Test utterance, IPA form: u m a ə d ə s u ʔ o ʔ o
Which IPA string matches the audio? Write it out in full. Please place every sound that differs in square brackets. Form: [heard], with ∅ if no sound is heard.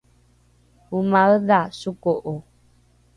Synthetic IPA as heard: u m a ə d [a] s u [k] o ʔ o